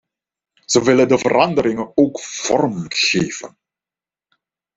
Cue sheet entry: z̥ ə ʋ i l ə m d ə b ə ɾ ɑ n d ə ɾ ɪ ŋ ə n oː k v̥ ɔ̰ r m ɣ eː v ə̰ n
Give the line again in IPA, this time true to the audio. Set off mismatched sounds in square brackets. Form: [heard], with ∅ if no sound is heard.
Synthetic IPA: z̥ ə ʋ [ɪ] l ə [n] d ə [v] ə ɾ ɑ n d ə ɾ ɪ ŋ ə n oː k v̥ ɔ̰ r m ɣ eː v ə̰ n

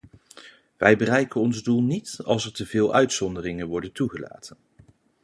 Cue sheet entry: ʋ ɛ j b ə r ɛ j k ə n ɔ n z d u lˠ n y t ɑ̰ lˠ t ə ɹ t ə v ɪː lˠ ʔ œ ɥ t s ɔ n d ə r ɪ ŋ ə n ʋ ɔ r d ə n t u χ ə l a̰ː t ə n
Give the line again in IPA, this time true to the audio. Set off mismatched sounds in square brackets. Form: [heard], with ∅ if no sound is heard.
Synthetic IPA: ʋ ɛ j b ə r ɛ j k ə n ɔ n z d u lˠ n [i] t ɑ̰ lˠ [s] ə ɹ t ə v ɪː lˠ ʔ œ ɥ t s ɔ n d ə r ɪ ŋ ə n ʋ ɔ [ɹ] d ə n t u χ ə l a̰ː t ə n

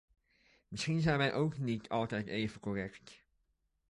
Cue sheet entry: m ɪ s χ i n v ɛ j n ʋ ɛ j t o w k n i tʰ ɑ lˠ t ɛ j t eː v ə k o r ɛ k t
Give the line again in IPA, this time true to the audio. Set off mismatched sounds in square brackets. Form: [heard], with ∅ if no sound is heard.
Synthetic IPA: m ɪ s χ i n [z] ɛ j n ʋ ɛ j [ʔ] o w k n i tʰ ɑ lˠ t ɛ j t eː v ə k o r ɛ k t

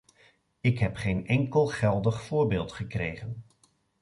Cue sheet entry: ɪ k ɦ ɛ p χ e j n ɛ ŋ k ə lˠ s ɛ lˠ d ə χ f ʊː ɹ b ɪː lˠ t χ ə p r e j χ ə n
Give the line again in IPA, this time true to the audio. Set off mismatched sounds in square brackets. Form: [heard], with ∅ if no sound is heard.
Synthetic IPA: ɪ k ɦ ɛ p χ e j n ɛ ŋ k ə lˠ [χ] ɛ lˠ d ə χ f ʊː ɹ b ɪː lˠ t χ ə [k] r e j χ ə n

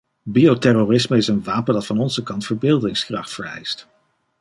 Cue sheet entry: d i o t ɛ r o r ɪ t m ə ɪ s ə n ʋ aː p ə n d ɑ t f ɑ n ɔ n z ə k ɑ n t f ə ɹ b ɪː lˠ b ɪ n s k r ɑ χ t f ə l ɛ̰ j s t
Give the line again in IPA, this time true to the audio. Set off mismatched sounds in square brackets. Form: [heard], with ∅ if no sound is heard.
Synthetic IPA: [b] i o t ɛ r o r ɪ [s] m ə ɪ s ə n ʋ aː p ə n d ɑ t f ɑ n ɔ n z ə k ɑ n t f ə ɹ b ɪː lˠ [d] ɪ [ŋ] s k r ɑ χ t f ə [ɹ] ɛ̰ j s t

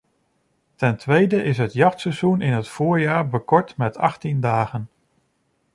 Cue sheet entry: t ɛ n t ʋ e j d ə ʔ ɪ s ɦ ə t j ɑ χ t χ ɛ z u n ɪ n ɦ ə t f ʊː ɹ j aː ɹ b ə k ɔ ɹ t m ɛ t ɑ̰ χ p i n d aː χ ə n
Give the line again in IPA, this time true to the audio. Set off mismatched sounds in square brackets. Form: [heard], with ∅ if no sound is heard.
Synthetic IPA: t ɛ n t ʋ e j d ə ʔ ɪ s ɦ ə t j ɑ χ t [s] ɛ z u n ɪ n ɦ ə t f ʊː ɹ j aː ɹ b ə k ɔ ɹ t m ɛ t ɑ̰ χ [t] i n d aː χ ə n

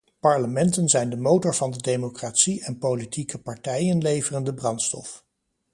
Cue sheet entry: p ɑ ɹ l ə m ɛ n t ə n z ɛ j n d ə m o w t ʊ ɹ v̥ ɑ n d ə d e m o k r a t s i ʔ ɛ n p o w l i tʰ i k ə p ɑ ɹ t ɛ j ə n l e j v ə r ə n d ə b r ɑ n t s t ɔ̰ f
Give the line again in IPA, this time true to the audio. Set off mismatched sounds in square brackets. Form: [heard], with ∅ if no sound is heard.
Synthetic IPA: p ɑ ɹ l ə m ɛ n t ə n z ɛ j n d ə m o w t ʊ ɹ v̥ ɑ n d ə d e m o k r a t s i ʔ ɛ n p o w l i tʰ i k ə p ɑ ɹ t ɛ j ə n l e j v ə r ə n d ə b r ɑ n t s t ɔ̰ f

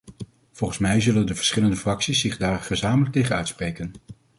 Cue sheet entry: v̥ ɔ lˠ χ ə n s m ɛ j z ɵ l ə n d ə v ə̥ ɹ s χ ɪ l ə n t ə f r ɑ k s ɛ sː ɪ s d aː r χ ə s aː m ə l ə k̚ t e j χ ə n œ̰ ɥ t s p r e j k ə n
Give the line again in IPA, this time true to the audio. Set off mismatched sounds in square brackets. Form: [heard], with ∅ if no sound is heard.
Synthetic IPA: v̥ ɔ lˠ χ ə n s m ɛ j z ɵ l ə n d ə v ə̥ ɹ s χ ɪ l ə n [d] ə f r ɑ k s [i] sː ɪ [χ] d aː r χ ə [z] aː m ə l ə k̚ t e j χ ə n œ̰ ɥ t s p r e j k ə n

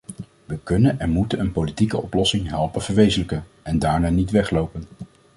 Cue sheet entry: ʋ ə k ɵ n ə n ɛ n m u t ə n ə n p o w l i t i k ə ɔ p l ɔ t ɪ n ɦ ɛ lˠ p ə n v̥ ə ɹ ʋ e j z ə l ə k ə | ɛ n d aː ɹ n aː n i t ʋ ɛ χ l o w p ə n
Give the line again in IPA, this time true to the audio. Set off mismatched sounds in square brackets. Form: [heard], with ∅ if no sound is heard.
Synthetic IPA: ʋ ə k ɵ n ə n ɛ n m u t ə n ə n p o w l i t i k ə ɔ p l ɔ [s] ɪ [ŋ] ɦ ɛ lˠ p ə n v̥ ə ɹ ʋ e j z ə l ə k ə | ɛ n d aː ɹ n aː n i t ʋ ɛ χ l o w p ə n

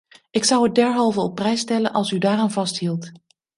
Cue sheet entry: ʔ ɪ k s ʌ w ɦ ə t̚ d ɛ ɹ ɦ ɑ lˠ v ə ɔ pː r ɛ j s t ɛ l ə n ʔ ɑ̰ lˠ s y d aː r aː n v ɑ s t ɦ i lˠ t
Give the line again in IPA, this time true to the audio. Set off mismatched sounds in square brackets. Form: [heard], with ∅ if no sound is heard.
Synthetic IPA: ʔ ɪ k s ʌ w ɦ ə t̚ d ɛ ɹ ɦ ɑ lˠ v ə ɔ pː r ɛ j s t ɛ l ə n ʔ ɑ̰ lˠ s y d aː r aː n v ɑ s t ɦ i lˠ t

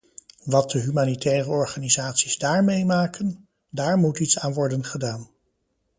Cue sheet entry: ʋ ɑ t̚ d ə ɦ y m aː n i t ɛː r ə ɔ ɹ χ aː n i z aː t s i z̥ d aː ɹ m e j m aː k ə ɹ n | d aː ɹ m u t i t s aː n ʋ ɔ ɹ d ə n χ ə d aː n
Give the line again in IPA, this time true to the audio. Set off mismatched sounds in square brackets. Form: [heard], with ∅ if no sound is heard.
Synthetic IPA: ʋ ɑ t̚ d ə ɦ y m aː n i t ɛː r ə ɔ ɹ χ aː n i z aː t s i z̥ d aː ɹ m e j m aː k ə [∅] n | d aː ɹ m u t i t s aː n ʋ ɔ ɹ d ə n χ ə d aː n

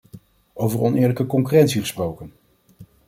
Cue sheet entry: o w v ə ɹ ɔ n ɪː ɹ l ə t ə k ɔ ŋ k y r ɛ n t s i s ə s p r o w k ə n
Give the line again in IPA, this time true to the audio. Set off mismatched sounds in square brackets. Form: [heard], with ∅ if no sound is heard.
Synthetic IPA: o w v ə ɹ ɔ n ɪː ɹ l ə [k] ə k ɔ ŋ k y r ɛ n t s i [χ] ə s p r o w k ə n

